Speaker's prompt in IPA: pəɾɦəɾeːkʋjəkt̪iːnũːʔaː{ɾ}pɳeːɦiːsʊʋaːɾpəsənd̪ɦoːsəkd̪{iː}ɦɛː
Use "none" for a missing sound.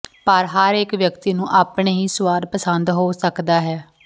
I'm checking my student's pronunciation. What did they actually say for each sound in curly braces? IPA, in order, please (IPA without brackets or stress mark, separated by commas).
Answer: none, aː